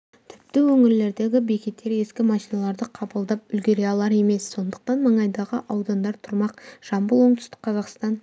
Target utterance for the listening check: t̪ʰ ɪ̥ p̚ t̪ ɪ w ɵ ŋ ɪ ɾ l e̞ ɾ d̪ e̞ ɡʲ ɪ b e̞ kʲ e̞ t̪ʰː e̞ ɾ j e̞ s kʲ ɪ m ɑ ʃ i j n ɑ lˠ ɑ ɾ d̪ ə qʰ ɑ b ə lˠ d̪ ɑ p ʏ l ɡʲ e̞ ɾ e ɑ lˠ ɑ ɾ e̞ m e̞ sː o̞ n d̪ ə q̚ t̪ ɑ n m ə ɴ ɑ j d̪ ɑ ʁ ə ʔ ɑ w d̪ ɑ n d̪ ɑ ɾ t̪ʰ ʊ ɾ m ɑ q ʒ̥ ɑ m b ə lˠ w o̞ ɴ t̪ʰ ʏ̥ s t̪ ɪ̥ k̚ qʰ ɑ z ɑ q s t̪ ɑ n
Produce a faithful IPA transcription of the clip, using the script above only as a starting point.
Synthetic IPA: t̪ʰ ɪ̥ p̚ t̪ ɪ w ɵ ŋ ɪ ɾ l e̞ ɾ d̪ e̞ ɡʲ ɪ b e̞ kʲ e̞ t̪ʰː e̞ ɾ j e̞ s kʲ ɪ m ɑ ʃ i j n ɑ lˠ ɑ ɾ d̪ ə qʰ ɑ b ə lˠ d̪ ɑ p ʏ l ɡʲ e̞ ɾ e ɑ lˠ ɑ ɾ e̞ m e̞ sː o̞ n d̪ ə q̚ t̪ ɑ n m ə ɴ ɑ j d̪ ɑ ʁ ə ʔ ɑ w d̪ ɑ n d̪ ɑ ɾ t̪ʰ ʊ ɾ m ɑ q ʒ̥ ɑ m b ə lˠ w o̞ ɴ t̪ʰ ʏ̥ s t̪ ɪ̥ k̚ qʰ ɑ z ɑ q s t̪ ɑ n